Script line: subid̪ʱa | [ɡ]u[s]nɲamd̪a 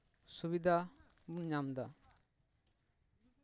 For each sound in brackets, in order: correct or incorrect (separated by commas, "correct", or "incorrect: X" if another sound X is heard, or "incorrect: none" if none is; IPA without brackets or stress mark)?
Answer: incorrect: b, incorrect: none